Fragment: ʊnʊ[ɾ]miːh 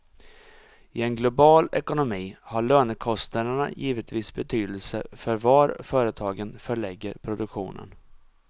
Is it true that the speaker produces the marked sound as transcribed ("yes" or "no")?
no